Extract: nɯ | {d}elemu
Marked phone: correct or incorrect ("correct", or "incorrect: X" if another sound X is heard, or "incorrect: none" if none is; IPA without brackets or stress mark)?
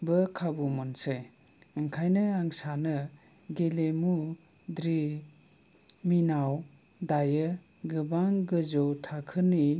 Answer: incorrect: ɡ